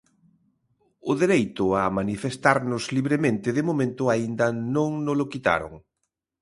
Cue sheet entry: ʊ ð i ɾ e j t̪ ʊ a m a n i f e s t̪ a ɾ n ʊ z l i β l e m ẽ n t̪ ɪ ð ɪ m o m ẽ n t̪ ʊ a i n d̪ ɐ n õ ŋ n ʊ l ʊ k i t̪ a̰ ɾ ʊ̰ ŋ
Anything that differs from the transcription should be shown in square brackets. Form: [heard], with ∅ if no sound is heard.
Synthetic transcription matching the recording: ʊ ð [e] ɾ e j t̪ ʊ a m a n i f e s t̪ a ɾ n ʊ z l i β [ɾ] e m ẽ n t̪ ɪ ð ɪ m o m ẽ n t̪ ʊ a i n d̪ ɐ n õ ŋ n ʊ l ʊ k i t̪ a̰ ɾ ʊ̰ ŋ